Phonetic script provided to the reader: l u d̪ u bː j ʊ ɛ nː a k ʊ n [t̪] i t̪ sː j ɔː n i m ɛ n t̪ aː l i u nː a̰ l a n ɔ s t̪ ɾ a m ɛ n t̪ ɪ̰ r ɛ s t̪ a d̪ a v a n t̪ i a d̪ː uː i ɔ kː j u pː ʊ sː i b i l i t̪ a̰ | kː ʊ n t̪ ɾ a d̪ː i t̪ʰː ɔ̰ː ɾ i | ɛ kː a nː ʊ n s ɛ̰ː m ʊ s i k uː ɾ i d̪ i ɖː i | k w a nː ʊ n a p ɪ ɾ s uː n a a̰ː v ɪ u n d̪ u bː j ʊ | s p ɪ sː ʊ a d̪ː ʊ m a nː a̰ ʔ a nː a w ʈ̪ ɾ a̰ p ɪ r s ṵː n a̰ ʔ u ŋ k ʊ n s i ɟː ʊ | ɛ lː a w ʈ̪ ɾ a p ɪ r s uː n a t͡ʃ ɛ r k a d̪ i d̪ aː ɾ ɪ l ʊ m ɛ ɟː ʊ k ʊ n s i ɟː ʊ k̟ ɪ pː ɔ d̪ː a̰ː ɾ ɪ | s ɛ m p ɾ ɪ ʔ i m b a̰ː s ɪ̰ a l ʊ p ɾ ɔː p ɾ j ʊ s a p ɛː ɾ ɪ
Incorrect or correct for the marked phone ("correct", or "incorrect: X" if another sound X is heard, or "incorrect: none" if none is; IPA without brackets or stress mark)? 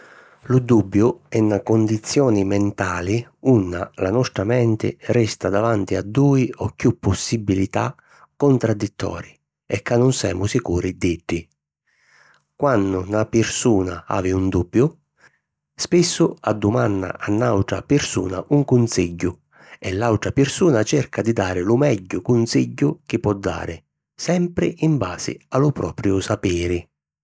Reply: incorrect: d̪